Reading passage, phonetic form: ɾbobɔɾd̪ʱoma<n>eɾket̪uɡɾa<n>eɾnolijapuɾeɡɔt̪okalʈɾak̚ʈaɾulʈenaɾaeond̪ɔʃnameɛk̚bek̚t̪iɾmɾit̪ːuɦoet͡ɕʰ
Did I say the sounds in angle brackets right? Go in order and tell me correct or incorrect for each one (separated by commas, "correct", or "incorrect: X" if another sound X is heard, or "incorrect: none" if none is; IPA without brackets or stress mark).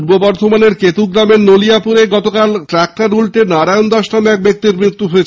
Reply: correct, incorrect: m